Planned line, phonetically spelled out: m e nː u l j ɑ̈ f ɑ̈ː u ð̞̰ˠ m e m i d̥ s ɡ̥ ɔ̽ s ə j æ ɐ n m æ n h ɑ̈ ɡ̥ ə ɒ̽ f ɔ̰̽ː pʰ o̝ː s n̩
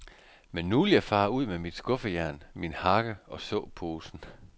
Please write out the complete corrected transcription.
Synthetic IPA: m e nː u l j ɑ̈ f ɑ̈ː u ð̞̰ˠ m e m i d̥ s ɡ̥ ɔ̽ f ə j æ ɐ n m i n h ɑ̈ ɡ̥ ə ɒ̽ s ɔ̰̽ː pʰ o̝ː s n̩

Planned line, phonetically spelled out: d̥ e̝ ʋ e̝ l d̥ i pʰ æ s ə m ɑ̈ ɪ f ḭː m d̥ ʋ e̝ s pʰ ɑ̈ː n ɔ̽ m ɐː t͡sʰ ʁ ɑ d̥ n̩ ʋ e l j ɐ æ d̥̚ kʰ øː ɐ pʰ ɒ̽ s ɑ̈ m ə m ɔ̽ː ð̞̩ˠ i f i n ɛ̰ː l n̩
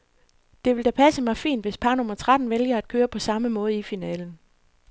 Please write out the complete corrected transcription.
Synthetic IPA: d̥ e̝ ʋ e̝ l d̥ æ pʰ æ s ə m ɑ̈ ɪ f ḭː n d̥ ʋ e̝ s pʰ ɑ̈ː n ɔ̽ m ɐ t͡sʰ ʁ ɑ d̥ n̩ ʋ e l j ɐ æ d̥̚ kʰ øː ɐ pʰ ɒ̽ s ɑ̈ m ə m ɔ̽ː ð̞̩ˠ i f i n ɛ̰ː l n̩

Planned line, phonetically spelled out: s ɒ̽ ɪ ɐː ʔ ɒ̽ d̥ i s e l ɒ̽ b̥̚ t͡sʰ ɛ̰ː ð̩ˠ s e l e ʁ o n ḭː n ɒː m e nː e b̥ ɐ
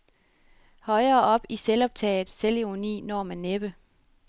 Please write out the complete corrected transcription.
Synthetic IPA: h ɒ̽ ɪ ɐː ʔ ɒ̽ b̥ i s e l ɒ̽ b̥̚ t͡sʰ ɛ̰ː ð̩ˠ s e l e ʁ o n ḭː n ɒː m æ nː e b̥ ə

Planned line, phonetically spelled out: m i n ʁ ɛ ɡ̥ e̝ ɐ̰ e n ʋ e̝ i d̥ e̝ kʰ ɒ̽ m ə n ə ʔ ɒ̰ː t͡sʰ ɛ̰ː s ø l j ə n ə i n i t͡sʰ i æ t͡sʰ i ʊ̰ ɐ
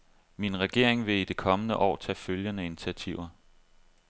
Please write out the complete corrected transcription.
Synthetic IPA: m i n ʁ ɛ ɡ̥ e̝ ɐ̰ e ŋ ʋ e̝ i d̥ e̝ kʰ ɒ̽ m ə n ə ʔ ɒ̰ː t͡sʰ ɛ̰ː f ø l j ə n ə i n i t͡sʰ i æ t͡sʰ i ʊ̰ ɐ

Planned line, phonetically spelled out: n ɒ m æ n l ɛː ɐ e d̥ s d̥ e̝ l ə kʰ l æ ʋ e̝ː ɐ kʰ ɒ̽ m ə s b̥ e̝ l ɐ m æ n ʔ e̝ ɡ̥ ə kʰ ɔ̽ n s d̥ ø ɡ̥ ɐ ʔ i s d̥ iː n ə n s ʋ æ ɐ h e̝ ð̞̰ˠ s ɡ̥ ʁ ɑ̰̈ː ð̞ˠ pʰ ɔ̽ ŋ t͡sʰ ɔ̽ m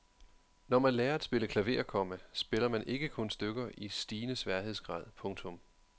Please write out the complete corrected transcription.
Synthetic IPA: n ɒ m æ n l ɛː ɐ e d̥ s b̥ e̝ l ə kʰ l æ ʋ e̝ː ɐ kʰ ɒ̽ m ə s b̥ e̝ l ɐ m æ n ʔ e̝ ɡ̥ ə kʰ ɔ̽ n s d̥ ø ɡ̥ ɐ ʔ i s d̥ iː n ə s ʋ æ ɐ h e̝ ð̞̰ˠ s ɡ̥ ʁ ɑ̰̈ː ð̞ˠ pʰ ɔ̽ ŋ t͡sʰ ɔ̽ m

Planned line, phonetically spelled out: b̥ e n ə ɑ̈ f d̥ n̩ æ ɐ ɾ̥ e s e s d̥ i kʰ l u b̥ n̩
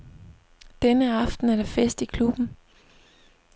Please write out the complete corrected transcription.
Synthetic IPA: d̥ e n ə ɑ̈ f d̥ n̩ æ ɐ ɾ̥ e f e s d̥ i kʰ l u b̥ n̩

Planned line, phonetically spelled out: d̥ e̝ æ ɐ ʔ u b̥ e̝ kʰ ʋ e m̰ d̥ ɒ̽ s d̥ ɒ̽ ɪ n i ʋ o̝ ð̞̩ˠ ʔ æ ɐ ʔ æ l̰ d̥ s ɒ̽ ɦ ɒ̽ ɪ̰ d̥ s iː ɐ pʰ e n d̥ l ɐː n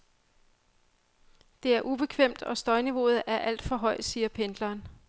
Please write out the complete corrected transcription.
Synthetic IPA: d̥ e̝ æ ɐ ʔ u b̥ e̝ kʰ ʋ e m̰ d̥ ɒ̽ s d̥ ɒ̽ ɪ n i ʋ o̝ ð̞̩ˠ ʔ æ ɐ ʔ æ l̰ d̥ f ɒ̽ ɦ ɒ̽ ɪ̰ d̥ s iː ɐ pʰ e n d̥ l ɐː n

